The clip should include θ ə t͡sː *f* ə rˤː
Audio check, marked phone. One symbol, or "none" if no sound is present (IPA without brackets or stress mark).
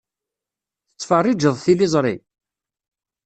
f